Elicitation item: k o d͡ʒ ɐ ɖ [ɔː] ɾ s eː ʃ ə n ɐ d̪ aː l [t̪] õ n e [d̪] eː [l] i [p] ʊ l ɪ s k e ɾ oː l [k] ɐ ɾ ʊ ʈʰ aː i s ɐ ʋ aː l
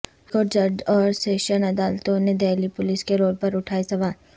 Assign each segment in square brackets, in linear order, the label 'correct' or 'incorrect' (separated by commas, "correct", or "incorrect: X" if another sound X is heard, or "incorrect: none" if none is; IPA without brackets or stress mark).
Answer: correct, correct, correct, correct, correct, incorrect: p